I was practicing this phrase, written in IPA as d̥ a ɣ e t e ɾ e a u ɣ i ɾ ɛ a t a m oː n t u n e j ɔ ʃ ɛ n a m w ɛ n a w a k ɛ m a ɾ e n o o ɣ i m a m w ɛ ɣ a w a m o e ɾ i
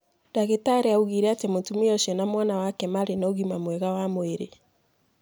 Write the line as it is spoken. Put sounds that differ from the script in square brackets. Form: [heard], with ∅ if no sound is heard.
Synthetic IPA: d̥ a ɣ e t [a] ɾ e a u ɣ i ɾ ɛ a t [e] m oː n t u [m] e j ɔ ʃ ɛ n a m w [a] n a w a k ɛ m a ɾ e n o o ɣ i m a m w ɛ ɣ a w a m o e ɾ [e]